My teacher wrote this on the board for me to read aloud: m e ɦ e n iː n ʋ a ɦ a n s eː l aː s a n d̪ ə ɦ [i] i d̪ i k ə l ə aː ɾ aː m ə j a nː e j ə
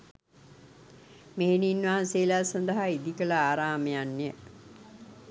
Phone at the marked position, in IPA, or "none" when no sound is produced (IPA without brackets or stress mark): a